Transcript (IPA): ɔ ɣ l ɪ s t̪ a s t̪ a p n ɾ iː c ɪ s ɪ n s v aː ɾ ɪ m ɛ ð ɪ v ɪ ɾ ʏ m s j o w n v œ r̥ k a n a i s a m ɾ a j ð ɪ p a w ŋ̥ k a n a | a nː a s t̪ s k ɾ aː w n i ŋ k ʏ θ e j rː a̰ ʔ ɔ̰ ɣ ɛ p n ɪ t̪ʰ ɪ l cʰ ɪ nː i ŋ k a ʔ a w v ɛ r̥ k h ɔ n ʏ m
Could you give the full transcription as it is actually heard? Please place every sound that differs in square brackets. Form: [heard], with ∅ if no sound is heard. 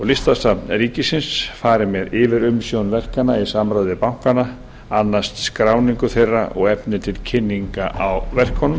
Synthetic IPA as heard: ɔ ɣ l ɪ s t̪ a s t̪ a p n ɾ iː c ɪ s ɪ n s [f] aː ɾ ɪ m ɛ ð ɪ v ɪ ɾ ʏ m s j o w n v [ɛ] r̥ k a n a i s a m ɾ a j ð ɪ p a w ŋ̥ k a n a | a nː a s t̪ s k ɾ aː w n i ŋ k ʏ θ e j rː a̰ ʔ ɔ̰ ɣ ɛ p n ɪ t̪ʰ ɪ l cʰ ɪ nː i ŋ k a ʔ a w v ɛ r̥ k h ɔ n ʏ m